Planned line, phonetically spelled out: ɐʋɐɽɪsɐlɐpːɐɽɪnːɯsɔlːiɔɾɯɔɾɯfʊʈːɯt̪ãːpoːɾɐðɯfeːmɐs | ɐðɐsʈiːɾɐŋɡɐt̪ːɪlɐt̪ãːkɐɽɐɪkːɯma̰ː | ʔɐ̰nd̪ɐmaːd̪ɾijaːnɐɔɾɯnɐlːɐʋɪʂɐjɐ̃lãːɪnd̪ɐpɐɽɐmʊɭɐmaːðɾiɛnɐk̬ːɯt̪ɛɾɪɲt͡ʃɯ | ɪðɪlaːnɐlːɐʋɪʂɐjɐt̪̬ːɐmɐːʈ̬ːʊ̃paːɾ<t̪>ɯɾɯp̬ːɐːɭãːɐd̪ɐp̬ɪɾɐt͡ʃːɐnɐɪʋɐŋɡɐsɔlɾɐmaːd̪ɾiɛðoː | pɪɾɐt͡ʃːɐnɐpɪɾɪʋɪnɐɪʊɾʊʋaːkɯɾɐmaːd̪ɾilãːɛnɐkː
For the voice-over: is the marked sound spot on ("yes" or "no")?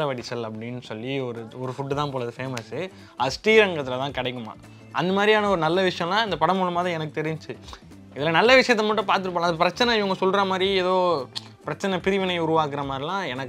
yes